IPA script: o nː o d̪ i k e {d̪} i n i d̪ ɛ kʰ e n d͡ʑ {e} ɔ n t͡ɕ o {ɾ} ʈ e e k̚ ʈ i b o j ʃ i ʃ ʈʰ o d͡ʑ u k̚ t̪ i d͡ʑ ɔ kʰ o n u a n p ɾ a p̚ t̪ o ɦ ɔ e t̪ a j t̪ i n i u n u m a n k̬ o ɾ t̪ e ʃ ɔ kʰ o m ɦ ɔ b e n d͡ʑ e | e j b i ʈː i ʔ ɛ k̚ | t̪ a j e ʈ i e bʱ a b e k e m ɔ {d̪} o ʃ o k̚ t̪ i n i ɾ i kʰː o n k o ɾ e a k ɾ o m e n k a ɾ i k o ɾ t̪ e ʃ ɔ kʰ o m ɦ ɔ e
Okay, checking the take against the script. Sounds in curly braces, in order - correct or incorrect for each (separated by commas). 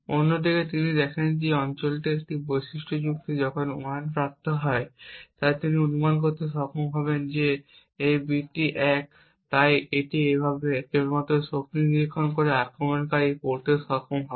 incorrect, correct, incorrect, incorrect